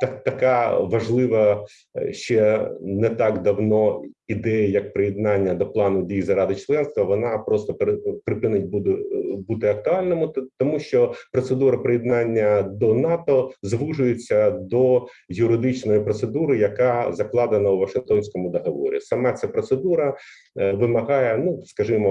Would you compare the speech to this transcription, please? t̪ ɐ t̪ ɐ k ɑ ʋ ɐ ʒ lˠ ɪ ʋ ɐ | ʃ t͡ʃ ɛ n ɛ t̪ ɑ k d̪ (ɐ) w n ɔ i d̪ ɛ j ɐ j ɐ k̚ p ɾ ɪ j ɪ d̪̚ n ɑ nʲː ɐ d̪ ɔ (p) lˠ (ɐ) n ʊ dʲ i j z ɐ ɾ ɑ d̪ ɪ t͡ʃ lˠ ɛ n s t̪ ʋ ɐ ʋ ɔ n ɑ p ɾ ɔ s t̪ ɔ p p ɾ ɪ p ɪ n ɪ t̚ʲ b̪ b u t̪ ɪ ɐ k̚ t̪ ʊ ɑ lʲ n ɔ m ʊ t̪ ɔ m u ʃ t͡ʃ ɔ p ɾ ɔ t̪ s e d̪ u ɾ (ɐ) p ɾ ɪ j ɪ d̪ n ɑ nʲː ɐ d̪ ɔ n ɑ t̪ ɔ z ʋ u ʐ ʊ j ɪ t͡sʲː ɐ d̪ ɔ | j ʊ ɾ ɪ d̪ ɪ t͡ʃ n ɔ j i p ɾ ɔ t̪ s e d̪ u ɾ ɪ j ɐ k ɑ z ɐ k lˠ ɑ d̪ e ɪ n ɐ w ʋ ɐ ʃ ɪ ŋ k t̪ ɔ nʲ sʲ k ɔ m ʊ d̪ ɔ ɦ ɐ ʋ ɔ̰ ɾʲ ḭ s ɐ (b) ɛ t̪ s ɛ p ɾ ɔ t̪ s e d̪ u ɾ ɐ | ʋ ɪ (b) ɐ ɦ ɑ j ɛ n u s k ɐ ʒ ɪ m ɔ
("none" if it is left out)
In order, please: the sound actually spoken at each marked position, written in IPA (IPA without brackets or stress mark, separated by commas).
ɐ, p, ɑ, ɐ, m, m